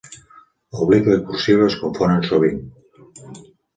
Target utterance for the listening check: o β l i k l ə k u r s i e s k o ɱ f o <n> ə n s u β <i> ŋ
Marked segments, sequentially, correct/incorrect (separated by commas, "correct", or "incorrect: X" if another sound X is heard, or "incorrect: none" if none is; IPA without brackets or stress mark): correct, correct